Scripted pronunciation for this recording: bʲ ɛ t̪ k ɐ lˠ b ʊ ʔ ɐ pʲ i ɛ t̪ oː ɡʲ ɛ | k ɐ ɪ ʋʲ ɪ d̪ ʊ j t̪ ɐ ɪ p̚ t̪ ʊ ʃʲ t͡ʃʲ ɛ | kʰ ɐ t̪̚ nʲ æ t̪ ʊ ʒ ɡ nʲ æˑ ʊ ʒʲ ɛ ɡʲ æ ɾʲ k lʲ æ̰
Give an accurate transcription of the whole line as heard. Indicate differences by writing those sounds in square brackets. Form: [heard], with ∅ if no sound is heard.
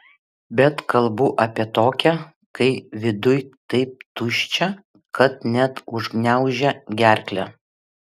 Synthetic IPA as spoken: bʲ ɛ t̪ k ɐ lˠ b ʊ ʔ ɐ pʲ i ɛ t̪ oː [kʲ] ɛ | k ɐ ɪ ʋʲ ɪ d̪ ʊ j t̪ ɐ ɪ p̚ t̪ ʊ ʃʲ t͡ʃʲ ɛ | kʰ ɐ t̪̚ nʲ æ t̪ ʊ ʒ ɡ nʲ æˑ ʊ ʒʲ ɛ ɡʲ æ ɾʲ k lʲ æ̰